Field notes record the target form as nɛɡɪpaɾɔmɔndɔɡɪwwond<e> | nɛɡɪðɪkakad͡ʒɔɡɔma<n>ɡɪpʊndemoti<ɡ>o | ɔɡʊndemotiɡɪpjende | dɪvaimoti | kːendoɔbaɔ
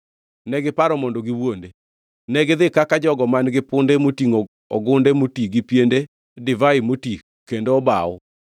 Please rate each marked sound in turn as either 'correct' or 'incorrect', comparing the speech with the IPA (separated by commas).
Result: correct, correct, incorrect